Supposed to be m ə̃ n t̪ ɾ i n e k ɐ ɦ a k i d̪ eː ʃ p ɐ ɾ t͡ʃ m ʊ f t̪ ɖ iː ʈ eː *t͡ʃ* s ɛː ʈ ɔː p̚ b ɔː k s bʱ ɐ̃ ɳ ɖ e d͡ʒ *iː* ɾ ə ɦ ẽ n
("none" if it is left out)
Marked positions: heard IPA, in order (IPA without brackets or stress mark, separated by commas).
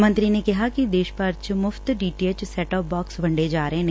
t͡ʃ, aː